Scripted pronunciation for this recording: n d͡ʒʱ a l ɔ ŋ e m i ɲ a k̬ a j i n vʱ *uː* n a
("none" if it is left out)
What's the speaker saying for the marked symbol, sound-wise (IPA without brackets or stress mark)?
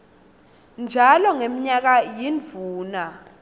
uː